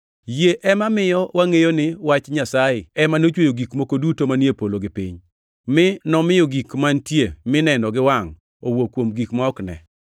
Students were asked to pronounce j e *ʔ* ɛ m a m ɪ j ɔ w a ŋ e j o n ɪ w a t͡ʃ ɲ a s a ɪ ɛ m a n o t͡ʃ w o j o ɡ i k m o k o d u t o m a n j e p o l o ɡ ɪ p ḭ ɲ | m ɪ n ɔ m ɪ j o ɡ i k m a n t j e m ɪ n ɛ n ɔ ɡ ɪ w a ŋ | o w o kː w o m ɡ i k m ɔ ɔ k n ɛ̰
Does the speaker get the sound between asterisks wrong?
no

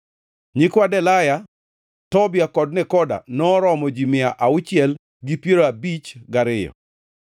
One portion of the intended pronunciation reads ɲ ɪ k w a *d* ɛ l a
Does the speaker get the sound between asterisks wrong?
no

